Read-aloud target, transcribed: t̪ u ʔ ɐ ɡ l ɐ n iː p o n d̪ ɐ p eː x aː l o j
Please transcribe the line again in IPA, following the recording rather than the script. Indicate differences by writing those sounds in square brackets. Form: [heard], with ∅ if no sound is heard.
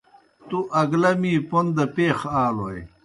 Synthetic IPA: t̪ u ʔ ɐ ɡ l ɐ [m] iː p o n d̪ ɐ p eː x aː l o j